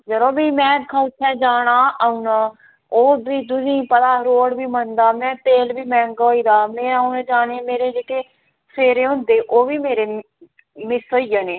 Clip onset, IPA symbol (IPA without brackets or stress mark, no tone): d͡ʒ